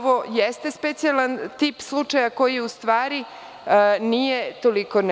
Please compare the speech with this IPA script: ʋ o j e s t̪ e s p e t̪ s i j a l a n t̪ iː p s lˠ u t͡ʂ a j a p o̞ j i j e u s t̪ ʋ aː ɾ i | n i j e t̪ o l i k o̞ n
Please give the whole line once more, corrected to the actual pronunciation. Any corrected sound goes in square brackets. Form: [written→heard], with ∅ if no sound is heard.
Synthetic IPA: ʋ o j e s t̪ e s p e t̪ s i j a l a n t̪ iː p s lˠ u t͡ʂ a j a [p→k] o̞ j i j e u s t̪ ʋ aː ɾ i | n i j e t̪ o l i k o̞ n